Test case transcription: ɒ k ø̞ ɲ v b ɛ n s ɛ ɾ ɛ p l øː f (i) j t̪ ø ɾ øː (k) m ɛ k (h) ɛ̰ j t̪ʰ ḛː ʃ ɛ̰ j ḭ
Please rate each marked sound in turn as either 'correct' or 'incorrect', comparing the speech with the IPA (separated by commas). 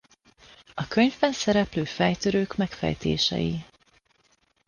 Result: incorrect, correct, incorrect